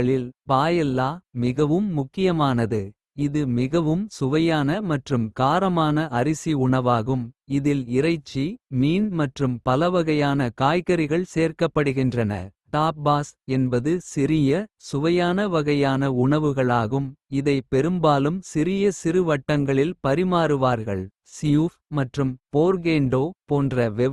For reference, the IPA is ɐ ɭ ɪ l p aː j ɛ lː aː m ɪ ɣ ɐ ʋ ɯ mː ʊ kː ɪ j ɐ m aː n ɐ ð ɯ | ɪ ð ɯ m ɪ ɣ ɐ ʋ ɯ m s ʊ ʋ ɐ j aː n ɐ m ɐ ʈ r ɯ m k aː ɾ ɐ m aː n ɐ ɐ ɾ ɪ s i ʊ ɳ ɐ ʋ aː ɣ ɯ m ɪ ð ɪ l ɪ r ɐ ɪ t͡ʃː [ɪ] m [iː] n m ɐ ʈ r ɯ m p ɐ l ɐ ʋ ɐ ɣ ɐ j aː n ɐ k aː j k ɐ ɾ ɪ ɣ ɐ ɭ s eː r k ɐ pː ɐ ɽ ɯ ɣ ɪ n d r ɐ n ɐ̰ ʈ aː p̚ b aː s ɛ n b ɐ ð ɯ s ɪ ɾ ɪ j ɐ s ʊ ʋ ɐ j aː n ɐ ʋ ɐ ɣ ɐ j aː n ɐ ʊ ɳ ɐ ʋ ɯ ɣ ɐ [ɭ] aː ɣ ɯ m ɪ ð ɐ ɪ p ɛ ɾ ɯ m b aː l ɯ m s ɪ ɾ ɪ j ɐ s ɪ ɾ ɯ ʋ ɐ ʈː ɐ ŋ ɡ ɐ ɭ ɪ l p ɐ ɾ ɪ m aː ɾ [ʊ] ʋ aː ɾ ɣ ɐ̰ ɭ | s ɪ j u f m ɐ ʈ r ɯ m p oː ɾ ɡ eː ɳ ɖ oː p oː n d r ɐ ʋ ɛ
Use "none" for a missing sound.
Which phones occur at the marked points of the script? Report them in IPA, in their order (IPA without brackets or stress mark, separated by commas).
i, iː, ɭ, ɯ